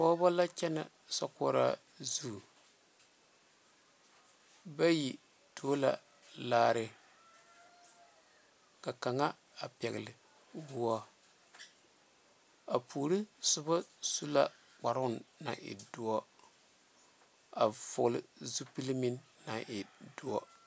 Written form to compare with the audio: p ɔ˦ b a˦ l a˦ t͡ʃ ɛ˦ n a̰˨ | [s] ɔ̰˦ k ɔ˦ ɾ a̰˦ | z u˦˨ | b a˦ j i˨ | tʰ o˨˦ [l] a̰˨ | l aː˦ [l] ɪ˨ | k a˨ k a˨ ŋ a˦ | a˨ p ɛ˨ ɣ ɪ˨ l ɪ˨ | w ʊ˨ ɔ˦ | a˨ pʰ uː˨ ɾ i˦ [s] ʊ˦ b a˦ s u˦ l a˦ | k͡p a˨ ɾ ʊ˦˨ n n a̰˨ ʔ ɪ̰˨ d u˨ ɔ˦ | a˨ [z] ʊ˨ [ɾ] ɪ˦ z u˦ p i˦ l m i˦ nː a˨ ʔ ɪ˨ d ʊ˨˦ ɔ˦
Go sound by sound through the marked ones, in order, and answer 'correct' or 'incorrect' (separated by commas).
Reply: correct, correct, incorrect, correct, incorrect, incorrect